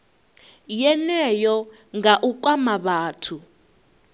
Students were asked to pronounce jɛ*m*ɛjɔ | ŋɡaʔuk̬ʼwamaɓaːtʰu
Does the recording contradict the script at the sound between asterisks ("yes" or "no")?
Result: yes